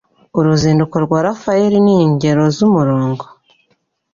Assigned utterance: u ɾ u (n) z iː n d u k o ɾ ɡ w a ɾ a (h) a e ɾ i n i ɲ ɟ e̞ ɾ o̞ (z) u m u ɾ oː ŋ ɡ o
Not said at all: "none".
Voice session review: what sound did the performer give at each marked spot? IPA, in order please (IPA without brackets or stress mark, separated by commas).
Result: none, f, z